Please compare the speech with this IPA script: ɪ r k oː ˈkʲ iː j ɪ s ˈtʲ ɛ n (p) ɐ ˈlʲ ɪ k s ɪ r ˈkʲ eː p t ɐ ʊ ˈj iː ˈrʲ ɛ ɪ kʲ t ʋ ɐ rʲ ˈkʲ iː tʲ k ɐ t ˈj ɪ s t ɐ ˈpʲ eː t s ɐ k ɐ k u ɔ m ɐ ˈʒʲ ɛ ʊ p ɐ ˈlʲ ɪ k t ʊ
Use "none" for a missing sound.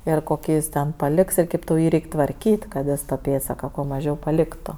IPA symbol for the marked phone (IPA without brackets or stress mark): p